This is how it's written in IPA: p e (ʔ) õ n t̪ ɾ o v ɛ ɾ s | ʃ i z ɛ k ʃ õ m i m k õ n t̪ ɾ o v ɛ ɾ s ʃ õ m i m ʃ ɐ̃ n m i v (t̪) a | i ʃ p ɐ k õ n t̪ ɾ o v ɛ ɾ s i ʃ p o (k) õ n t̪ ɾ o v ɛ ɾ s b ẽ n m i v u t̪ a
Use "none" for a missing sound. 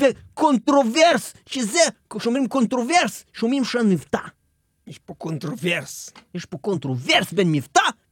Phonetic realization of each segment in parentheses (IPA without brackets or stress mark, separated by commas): k, t̪, k